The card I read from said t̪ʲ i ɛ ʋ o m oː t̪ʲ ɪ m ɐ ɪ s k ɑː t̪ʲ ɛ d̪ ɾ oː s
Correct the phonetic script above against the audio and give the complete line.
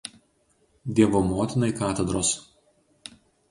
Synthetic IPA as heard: d̪ʲ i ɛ ʋ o m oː t̪ʲ ɪ n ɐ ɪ k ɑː t̪ʲ ɛ d̪ ɾ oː s

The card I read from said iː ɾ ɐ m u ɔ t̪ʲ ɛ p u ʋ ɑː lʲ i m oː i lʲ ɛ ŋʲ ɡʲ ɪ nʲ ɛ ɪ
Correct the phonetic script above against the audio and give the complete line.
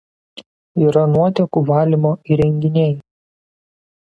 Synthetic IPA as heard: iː ɾ ɐ n u ɔ t̪ʲ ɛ k u ʋ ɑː lʲ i m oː i ɾʲ ɛ ŋʲ ɡʲ ɪ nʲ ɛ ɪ

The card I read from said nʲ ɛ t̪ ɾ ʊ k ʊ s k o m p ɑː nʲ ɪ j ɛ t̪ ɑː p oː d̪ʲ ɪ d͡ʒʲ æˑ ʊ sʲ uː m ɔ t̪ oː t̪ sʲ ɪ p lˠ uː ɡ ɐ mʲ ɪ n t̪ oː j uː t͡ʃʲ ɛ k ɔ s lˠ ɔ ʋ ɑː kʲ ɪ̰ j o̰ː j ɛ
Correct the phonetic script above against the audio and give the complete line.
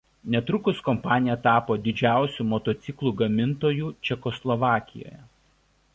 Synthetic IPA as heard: nʲ ɛ t̪ ɾ ʊ k ʊ s k ɔ m p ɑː nʲ ɪ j ɛ t̪ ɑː p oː d̪ʲ ɪ d͡ʒʲ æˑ ʊ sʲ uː m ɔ t̪ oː t̪ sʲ ɪ k lˠ uː ɡ ɐ mʲ ɪ n t̪ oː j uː t͡ʃʲ ɛ k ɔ s lˠ ɔ ʋ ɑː kʲ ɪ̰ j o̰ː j ɛ

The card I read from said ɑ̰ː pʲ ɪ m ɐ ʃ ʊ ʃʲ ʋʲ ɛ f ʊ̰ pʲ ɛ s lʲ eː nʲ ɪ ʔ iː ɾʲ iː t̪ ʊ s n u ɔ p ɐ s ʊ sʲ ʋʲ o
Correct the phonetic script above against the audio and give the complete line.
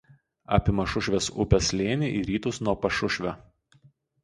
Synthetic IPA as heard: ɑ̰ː pʲ ɪ m ɐ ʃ ʊ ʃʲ ʋʲ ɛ s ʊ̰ pʲ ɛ s lʲ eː nʲ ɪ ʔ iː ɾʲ iː t̪ ʊ s n u ɔ p ɐ ʃ ʊ ʃʲ ʋʲ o

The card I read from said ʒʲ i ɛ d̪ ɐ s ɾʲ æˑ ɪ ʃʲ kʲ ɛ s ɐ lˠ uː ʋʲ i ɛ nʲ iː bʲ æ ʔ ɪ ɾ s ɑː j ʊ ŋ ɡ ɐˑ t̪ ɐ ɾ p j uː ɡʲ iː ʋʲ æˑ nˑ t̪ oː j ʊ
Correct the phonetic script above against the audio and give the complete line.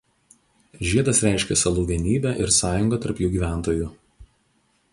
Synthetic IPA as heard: ʒʲ i ɛ d̪ ɐ s ɾʲ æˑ ɪ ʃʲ kʲ ɛ s ɐ lˠ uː ʋʲ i ɛ nʲ iː bʲ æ ʔ ɪ ɾ s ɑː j ʊ ŋ ɡ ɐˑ t̪ ɐ ɾ p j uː ɡʲ iː ʋʲ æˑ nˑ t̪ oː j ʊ

